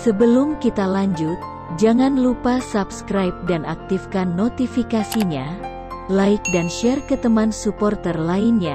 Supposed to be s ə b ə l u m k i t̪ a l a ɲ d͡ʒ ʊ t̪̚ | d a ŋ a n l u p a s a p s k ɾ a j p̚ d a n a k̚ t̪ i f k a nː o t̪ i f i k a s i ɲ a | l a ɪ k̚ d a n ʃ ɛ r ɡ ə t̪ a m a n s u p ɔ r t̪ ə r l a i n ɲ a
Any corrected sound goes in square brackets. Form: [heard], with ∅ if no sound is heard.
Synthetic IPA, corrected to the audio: s ə b ə l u m k i t̪ a l a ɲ d͡ʒ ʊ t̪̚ | [d͡ʒ] a ŋ a n l u p a s a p s k ɾ a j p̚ d a n a k̚ t̪ i f k a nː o t̪ i f i k a s i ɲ a | l a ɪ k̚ d a n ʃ ɛ r [k] ə t̪ [ə] m a n s u p ɔ r t̪ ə r l a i n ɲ a